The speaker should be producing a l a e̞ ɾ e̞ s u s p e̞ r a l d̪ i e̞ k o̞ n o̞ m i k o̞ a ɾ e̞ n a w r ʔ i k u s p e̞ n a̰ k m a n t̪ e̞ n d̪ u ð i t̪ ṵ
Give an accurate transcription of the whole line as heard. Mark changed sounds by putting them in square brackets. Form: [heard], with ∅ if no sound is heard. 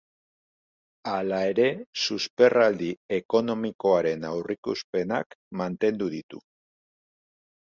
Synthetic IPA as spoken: a l a e̞ ɾ e̞ s u s p e̞ r a l d̪ i e̞ k o̞ n o̞ m i k o̞ a ɾ e̞ n a w r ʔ i k u s p e̞ n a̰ k m a n t̪ e̞ n d̪ u ð i t̪ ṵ